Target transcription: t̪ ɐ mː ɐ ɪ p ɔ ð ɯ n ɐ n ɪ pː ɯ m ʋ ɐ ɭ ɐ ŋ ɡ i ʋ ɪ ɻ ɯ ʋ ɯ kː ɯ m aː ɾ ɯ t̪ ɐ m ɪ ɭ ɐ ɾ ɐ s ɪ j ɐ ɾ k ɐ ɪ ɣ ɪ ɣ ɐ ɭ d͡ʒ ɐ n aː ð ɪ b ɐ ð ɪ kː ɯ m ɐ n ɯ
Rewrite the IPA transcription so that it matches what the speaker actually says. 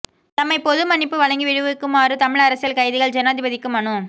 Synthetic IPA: t̪ ɐ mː ɐ ɪ p ɔ ð ɯ m ɐ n ɪ pː ɯ ʋ ɐ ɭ ɐ ŋ ɡ i ʋ ɪ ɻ ɯ ʋ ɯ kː ɯ m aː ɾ ɯ t̪ ɐ m ɪ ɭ ɐ ɾ ɐ s ɪ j ɐ l k ɐ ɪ ð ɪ ɣ ɐ ɭ d͡ʒ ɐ n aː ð ɪ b ɐ ð ɪ kː ɯ m ɐ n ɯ